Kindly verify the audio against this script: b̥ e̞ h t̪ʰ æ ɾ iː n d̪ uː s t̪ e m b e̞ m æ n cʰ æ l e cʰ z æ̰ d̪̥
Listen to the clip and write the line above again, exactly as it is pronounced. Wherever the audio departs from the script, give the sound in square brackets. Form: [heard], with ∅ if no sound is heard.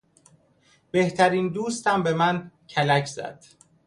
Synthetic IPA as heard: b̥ e̞ h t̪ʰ æ ɾ iː n d̪ uː s t̪ [æ] m b e̞ m æ n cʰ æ l [æ] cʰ z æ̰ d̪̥